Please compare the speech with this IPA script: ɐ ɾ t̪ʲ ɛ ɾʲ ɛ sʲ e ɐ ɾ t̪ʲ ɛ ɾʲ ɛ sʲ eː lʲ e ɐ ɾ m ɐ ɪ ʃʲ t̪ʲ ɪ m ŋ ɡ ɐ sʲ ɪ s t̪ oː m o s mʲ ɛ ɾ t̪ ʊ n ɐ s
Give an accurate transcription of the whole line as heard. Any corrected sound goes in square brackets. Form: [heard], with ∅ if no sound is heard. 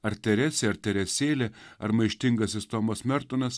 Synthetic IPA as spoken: ɐ ɾ t̪ʲ ɛ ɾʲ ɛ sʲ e ɐ ɾ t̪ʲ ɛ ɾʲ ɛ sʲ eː lʲ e ɐ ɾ m ɐ ɪ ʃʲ t̪ʲ ɪ [∅] ŋ ɡ ɐ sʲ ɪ s t̪ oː m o s mʲ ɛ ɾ t̪ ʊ n ɐ s